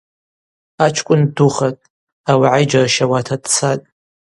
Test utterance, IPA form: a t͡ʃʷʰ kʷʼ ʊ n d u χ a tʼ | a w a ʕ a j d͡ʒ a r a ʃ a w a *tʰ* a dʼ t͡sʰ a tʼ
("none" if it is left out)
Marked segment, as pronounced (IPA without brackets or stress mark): tʰ